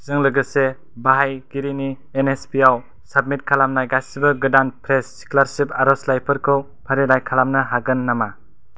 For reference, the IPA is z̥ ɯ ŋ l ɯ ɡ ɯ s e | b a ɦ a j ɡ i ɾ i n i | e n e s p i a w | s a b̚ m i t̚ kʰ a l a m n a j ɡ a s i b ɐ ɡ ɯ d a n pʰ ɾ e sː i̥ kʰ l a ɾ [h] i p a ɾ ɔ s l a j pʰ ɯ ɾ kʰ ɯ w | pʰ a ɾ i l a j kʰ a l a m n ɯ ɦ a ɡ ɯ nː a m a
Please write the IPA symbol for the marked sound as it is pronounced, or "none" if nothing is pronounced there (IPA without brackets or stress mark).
s